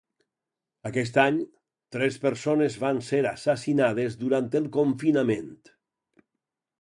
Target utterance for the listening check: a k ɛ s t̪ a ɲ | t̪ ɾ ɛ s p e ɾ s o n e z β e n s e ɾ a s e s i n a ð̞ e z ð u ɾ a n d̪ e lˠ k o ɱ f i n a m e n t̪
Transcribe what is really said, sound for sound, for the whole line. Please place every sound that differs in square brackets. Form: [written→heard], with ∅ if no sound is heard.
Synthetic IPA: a k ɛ s t̪ a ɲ | t̪ ɾ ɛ s p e ɾ s o n e z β [e→a] n s e ɾ a s [e→a] s i n a ð̞ e z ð u ɾ a n [d̪→t̪] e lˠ k o ɱ f i n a m e n t̪